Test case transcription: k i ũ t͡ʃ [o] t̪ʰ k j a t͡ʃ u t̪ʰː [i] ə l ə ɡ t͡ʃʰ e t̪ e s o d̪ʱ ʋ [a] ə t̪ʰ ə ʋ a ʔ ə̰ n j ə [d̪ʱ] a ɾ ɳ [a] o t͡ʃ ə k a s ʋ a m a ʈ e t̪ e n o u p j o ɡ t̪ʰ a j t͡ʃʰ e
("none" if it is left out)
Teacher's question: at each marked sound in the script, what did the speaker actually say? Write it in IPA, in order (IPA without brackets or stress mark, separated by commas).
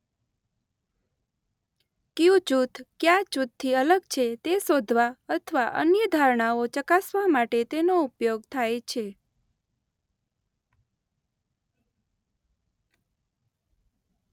u, i, a, d̪ʱ, a